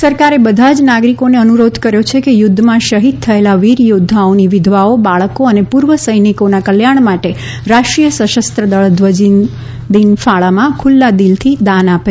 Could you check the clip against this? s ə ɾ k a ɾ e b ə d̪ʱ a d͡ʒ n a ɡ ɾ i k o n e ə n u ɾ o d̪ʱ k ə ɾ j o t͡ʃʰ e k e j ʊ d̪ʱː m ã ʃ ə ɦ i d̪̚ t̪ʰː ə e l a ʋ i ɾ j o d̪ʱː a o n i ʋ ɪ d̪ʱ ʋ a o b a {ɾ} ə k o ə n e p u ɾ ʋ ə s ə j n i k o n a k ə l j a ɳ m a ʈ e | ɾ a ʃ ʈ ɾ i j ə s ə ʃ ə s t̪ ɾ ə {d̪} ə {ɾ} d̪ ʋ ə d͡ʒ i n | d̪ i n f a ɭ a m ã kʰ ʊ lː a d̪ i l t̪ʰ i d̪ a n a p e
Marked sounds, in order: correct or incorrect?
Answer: incorrect, correct, incorrect

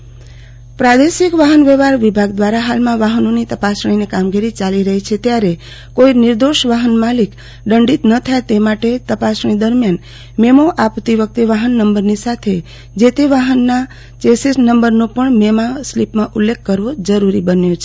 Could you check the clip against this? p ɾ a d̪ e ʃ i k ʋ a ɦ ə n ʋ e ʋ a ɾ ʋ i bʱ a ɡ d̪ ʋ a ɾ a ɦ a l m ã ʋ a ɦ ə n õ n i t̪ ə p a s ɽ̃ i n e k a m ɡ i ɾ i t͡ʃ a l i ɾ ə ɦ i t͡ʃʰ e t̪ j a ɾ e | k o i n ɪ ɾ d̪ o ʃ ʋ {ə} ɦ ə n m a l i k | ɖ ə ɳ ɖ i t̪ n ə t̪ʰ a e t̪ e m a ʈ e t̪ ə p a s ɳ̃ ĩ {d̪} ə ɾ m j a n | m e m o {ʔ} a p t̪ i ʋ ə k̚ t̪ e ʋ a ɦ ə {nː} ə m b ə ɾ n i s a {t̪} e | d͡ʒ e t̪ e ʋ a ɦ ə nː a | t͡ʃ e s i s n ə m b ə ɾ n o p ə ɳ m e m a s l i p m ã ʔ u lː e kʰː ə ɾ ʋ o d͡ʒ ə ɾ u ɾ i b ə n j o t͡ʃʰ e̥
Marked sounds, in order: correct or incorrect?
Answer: incorrect, correct, correct, correct, incorrect

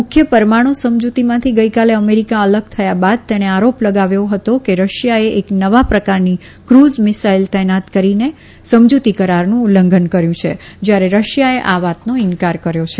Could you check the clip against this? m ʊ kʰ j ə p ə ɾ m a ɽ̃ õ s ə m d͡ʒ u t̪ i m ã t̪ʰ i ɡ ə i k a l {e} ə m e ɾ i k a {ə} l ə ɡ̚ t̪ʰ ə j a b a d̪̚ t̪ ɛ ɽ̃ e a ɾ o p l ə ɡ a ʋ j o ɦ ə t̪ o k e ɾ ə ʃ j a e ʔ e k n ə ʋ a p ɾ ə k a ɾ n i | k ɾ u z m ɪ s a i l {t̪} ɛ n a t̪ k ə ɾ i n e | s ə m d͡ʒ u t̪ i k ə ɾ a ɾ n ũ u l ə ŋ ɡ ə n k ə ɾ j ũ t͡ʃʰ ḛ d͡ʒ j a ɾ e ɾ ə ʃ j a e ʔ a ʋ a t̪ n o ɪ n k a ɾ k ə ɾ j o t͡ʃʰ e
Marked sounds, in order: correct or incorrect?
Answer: correct, correct, correct

